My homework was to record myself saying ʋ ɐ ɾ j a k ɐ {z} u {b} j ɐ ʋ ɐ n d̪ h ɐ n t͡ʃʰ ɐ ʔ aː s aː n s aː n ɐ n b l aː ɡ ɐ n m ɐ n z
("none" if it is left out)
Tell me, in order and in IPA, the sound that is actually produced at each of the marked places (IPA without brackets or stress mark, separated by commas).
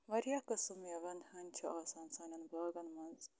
s, m